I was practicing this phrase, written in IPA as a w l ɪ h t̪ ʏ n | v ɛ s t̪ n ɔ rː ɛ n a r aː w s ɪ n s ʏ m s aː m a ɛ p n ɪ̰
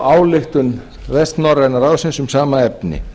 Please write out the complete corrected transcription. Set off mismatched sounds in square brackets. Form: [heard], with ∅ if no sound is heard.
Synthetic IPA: a w l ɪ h t̪ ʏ n | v ɛ s t̪ n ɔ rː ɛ n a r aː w s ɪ n s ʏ m s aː m a ɛ p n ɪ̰